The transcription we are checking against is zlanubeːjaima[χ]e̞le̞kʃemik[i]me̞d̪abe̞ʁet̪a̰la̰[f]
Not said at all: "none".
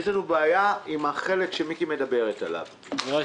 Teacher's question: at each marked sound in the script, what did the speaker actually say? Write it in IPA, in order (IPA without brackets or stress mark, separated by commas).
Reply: χ, i, v